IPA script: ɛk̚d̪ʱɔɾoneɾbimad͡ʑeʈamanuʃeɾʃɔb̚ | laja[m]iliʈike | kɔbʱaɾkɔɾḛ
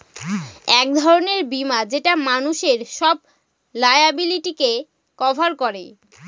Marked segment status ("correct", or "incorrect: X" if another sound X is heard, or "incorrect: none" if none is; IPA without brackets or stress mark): incorrect: b